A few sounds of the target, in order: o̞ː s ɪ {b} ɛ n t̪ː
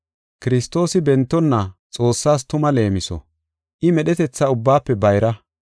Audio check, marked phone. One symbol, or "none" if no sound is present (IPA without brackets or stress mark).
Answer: b